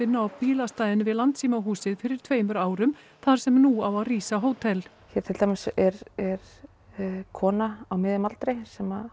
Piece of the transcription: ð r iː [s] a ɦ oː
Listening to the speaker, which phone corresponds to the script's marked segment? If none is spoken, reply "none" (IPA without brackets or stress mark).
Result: s